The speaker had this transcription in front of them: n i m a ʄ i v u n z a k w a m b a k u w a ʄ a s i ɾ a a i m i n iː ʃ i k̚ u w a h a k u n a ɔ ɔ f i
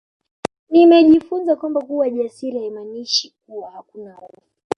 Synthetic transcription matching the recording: n i m ɛ ʄ i f u n z a k w a m b a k u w a ʄ a s i ɾ i a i m a n i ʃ i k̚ u w a h a k u n a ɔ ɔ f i